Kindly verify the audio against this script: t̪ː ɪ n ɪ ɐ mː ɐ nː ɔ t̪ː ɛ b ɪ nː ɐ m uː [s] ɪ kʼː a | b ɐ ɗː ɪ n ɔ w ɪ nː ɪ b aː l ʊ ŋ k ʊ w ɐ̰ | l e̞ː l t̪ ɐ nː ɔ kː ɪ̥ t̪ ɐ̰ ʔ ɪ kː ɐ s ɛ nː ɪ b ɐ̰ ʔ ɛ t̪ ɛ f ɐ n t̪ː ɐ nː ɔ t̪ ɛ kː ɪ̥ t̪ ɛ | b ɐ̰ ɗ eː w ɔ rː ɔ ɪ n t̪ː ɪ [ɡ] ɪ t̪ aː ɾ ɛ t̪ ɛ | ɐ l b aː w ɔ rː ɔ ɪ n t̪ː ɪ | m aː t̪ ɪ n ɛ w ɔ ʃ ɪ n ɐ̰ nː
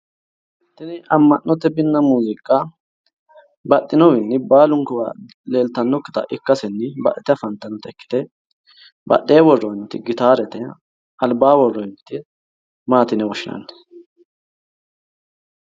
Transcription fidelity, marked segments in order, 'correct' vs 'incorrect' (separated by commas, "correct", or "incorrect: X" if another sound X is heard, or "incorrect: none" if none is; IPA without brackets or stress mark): incorrect: z, correct